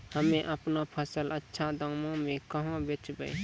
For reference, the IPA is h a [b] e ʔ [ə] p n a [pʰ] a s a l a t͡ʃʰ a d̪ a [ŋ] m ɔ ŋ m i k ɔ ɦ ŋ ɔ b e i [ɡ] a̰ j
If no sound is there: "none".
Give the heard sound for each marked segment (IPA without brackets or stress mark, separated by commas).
m, a, pʰ, ŋ, b